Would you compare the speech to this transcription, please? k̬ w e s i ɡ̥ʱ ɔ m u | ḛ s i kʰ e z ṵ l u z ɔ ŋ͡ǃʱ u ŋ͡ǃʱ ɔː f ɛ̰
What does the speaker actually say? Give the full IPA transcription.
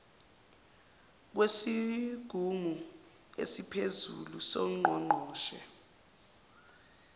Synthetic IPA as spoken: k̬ w e s i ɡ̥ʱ u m u | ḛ s i pʰ e z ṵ l u s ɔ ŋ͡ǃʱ ɔ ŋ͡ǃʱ ɔː ʃ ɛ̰